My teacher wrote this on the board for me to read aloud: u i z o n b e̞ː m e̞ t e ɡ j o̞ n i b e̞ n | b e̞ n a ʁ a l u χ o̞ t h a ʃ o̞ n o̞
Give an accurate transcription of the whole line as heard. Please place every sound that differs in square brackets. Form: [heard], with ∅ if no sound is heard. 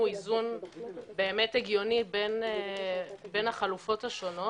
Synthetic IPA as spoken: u i z [u] n b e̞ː m e̞ t e ɡ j o̞ n i b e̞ n | b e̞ n a [χ] a l u [f] o̞ t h a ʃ o̞ n o̞